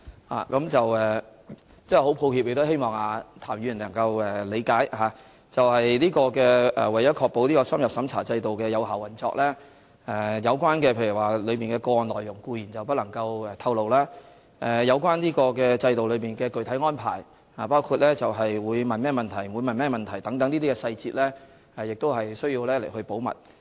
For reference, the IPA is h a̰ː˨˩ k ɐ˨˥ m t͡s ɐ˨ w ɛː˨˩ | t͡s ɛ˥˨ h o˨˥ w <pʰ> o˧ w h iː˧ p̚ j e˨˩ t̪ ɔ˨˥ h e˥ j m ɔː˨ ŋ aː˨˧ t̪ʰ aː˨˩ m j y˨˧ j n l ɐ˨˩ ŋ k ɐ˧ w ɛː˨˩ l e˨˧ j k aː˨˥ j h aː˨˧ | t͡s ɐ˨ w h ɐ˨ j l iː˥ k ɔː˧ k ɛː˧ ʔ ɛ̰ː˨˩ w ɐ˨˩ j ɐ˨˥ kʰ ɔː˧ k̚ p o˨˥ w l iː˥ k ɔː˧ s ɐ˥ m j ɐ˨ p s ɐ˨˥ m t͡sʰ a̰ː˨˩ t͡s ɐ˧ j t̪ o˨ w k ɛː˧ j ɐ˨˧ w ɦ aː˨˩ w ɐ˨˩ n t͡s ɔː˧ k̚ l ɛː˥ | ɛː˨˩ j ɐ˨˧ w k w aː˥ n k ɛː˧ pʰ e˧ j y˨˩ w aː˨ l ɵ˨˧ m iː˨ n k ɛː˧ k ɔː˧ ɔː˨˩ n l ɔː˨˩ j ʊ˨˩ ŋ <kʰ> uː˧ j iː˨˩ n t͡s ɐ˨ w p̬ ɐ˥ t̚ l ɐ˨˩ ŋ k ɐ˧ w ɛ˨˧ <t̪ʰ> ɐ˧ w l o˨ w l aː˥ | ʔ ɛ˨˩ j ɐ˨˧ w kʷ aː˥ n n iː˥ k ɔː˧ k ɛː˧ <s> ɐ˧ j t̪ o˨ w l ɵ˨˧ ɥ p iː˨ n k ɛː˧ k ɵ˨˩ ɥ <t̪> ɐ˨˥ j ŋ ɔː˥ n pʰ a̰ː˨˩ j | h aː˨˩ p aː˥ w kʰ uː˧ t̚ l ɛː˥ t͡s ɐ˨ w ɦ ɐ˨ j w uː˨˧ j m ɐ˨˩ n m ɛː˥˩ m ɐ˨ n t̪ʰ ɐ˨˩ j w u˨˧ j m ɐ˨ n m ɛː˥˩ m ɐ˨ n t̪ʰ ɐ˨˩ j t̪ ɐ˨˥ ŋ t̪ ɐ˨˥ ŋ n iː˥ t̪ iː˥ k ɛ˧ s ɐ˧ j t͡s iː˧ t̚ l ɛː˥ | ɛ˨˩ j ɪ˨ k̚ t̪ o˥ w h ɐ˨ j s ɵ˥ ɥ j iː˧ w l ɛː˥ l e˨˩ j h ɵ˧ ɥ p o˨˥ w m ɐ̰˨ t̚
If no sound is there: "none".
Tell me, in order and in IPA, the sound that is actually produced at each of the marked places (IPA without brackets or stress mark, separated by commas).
pʰ, k, t̪ʰ, t͡s, t̪ʰ